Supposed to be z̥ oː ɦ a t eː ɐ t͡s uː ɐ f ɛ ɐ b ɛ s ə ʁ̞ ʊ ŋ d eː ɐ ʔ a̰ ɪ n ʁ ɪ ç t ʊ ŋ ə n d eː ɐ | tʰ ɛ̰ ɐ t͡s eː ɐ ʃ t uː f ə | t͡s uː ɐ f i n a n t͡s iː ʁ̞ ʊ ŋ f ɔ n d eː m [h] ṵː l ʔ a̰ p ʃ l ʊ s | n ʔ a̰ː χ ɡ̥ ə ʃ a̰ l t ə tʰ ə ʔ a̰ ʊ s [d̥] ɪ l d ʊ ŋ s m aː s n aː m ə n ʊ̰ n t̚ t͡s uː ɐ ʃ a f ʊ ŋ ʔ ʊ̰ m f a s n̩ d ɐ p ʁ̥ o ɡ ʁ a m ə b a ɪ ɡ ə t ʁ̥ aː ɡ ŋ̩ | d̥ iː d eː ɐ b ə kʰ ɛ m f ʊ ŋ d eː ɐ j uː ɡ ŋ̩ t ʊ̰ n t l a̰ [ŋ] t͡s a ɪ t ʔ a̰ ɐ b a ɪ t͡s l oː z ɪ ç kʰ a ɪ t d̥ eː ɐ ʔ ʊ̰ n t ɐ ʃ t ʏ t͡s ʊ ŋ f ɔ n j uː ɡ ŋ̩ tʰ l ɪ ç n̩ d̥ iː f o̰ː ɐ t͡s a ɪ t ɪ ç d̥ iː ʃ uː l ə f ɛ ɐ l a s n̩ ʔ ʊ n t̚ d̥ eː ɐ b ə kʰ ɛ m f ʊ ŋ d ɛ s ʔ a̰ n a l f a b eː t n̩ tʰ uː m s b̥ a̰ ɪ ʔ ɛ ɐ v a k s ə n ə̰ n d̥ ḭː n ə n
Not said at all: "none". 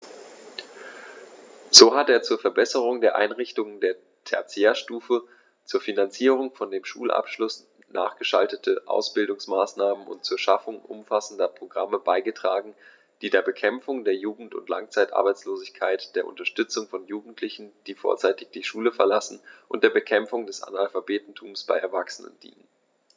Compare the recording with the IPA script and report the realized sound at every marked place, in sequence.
ʃ, b̥, ŋ

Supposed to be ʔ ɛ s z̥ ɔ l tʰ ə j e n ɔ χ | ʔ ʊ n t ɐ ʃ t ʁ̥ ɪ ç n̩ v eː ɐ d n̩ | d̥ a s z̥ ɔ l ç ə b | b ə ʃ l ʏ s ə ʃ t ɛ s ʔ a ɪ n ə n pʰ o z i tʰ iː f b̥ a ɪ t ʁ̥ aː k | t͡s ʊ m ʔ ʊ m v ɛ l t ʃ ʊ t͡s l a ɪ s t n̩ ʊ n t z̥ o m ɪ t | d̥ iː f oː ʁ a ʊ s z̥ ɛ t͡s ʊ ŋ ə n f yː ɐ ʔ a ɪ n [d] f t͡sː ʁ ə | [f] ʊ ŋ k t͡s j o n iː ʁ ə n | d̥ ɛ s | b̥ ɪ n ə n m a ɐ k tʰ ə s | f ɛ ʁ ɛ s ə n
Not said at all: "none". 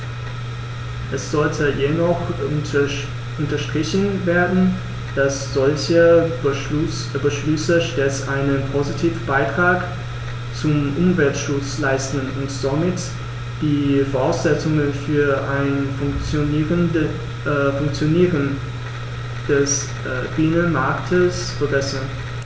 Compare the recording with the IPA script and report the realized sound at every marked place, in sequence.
n, f

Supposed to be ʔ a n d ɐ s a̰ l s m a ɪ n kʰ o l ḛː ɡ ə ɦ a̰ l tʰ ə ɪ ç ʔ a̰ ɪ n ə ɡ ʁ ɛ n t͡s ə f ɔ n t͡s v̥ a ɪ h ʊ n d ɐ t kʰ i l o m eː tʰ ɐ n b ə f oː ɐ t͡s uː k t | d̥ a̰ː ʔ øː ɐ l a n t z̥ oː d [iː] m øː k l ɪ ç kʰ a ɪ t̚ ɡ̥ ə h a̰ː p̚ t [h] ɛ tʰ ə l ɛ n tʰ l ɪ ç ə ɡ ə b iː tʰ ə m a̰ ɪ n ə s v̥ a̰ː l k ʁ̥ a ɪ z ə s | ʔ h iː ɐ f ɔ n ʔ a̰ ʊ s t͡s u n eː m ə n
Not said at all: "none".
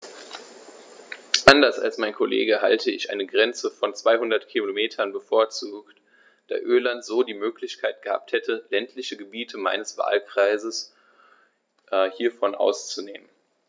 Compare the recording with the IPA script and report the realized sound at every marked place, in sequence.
iː, h

